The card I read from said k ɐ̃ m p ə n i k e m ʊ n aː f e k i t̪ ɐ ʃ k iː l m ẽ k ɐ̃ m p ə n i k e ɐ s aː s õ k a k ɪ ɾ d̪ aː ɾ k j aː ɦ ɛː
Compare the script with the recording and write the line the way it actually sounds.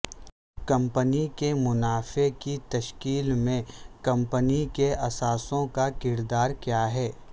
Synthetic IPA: k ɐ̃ m p ə n i k e m ʊ n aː f e k i t̪ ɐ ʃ k iː l m ẽ k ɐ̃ m p ə n i k e ɐ s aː s õ k a k ɪ ɾ d̪ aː ɾ k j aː ɦ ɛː